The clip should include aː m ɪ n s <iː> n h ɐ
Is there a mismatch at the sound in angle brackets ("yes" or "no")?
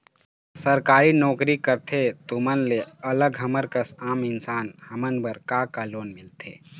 yes